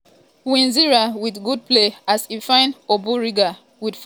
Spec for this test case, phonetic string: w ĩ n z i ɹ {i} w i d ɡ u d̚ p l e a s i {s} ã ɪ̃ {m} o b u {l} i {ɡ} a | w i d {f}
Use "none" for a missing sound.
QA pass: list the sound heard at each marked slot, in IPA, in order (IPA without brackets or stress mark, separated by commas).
a, f, n, ɹ, ɡ, f